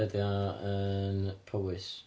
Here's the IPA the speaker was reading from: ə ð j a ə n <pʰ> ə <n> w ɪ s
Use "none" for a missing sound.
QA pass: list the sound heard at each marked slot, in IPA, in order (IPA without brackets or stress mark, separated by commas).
pʰ, none